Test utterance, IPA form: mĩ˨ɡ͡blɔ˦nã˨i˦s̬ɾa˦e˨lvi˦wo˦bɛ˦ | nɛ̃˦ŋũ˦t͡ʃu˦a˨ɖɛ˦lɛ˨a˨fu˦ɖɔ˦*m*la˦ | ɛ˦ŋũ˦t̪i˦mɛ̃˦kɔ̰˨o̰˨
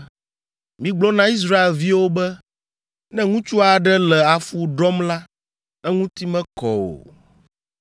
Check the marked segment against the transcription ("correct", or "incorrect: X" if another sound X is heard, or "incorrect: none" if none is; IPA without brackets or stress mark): correct